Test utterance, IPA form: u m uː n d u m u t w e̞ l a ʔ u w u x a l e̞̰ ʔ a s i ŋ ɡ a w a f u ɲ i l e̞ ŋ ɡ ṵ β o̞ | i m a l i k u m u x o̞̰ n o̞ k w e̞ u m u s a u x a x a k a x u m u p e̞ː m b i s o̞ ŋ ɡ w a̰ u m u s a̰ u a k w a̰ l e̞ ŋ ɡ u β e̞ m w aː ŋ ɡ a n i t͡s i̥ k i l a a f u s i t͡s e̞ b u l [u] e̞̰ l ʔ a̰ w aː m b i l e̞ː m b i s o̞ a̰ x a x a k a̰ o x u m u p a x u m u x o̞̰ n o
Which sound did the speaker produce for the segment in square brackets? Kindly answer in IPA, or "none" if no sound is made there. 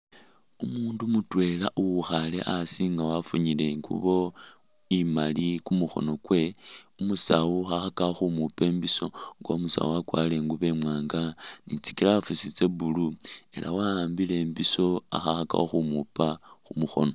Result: u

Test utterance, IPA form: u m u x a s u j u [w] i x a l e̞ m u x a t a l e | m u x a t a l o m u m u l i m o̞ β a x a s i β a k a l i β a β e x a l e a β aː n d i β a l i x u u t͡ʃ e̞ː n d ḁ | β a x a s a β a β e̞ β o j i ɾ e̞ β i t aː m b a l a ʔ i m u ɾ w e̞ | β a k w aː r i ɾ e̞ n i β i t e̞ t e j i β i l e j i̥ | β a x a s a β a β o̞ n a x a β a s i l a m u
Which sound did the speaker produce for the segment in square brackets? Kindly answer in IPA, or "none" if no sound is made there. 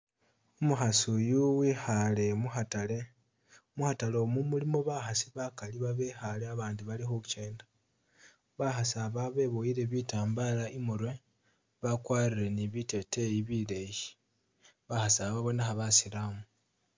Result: w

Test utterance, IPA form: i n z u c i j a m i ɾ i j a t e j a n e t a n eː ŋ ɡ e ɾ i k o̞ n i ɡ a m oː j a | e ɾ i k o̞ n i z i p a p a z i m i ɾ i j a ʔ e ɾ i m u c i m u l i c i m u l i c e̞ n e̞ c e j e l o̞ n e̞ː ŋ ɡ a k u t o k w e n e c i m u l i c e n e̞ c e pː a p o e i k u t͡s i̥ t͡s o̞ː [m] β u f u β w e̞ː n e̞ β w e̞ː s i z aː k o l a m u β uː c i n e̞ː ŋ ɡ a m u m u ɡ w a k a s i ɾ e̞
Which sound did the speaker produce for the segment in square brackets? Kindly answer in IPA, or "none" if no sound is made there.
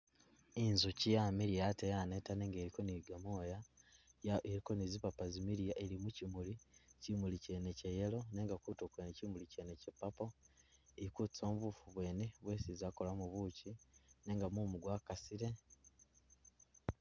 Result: m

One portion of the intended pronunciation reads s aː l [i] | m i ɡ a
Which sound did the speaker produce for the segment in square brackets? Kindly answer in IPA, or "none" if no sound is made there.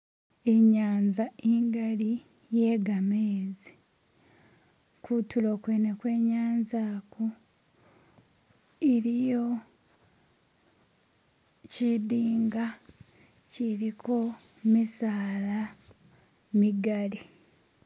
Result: a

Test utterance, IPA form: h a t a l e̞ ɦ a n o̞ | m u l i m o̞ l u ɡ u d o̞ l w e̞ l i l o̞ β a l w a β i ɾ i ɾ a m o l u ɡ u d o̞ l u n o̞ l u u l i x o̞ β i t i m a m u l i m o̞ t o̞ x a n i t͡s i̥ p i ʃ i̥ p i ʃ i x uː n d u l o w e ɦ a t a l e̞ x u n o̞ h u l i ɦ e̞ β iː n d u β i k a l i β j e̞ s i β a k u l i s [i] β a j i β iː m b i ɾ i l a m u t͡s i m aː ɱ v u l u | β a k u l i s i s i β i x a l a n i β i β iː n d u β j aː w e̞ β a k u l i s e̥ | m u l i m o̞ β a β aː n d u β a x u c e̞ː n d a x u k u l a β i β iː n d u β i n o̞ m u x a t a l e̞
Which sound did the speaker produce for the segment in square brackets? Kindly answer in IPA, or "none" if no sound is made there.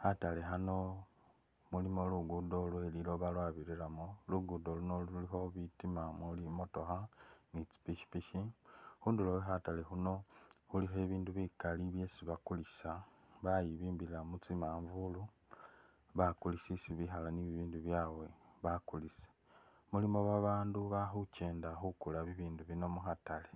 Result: a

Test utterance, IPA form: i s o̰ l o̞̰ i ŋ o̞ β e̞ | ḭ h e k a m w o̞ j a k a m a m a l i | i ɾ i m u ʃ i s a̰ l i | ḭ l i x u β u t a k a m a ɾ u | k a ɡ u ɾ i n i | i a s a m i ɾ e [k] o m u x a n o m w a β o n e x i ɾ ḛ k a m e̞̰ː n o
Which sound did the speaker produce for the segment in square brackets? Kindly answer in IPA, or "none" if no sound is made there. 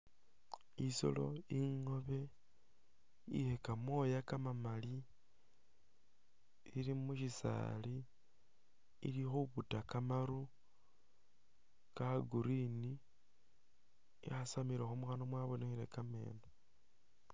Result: x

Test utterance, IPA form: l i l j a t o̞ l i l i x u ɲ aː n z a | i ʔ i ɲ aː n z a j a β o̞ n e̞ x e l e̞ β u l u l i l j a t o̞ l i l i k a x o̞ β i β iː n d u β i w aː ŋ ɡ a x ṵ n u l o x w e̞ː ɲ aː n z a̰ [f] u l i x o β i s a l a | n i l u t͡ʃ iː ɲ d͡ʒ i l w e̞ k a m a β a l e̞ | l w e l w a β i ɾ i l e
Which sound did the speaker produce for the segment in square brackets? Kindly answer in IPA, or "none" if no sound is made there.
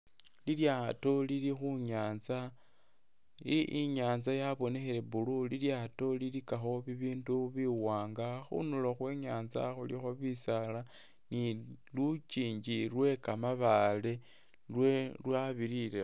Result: x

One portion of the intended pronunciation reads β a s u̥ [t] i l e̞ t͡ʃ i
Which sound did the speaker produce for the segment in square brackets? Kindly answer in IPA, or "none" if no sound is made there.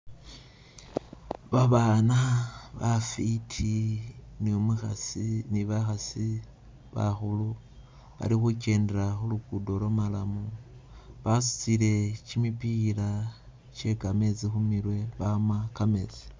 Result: t͡s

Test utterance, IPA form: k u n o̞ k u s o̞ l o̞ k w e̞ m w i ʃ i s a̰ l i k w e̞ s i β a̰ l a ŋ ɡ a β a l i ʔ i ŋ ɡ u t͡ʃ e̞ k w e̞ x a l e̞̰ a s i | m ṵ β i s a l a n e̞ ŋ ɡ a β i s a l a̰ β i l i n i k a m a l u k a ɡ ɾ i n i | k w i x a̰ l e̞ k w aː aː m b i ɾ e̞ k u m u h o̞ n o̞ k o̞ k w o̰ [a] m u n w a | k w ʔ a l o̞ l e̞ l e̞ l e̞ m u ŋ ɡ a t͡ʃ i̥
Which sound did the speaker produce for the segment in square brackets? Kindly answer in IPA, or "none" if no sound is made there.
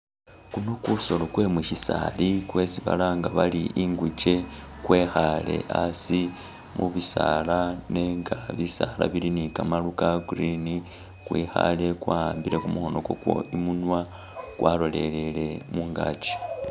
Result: i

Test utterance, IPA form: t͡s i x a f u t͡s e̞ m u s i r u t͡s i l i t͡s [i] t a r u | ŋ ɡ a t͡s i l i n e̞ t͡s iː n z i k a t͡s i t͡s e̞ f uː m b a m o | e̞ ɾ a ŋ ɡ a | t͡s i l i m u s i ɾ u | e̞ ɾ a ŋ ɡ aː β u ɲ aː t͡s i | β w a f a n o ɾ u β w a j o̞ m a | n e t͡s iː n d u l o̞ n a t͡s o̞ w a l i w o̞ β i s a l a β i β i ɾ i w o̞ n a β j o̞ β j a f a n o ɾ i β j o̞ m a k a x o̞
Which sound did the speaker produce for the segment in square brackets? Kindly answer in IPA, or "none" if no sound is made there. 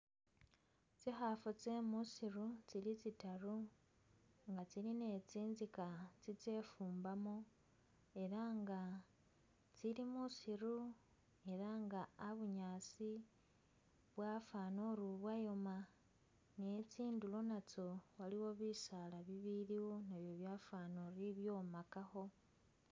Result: i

